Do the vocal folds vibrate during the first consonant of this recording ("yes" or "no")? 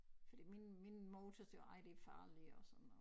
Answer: no